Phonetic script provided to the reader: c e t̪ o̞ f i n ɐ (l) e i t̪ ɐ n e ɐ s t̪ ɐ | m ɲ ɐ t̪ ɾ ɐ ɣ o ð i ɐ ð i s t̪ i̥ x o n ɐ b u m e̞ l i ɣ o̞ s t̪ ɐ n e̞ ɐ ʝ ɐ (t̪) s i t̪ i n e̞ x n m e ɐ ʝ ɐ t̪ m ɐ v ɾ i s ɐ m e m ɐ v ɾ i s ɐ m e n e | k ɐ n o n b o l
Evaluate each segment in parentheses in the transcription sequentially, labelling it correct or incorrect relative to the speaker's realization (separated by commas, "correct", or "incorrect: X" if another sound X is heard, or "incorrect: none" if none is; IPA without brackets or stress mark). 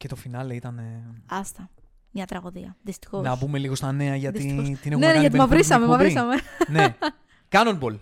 correct, correct